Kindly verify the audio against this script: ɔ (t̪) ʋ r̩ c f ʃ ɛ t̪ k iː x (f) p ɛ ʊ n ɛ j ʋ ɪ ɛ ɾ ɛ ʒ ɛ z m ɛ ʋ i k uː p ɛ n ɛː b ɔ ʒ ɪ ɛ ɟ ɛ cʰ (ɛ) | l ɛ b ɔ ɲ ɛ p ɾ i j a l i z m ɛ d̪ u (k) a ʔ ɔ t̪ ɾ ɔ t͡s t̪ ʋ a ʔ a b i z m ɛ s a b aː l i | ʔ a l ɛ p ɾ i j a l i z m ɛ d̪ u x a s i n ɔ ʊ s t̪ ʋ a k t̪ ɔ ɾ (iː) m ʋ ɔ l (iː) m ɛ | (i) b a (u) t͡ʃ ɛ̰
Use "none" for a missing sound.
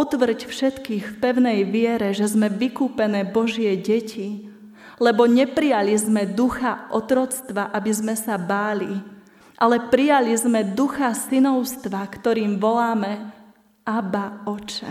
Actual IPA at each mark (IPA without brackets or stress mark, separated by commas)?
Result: t̪, f, i, x, iː, aː, a, ɔ